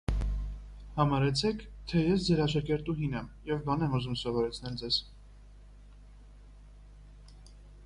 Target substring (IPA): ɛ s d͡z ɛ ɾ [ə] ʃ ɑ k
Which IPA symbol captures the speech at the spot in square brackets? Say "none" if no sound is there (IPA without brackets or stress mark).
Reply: ɑ